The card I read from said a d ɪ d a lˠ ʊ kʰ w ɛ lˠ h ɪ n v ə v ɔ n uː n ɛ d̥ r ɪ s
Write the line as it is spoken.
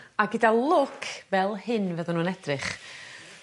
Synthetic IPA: a ɡ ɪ d a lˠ ʊ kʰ v ɛ lˠ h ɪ n v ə ð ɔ n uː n ɛ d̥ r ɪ χ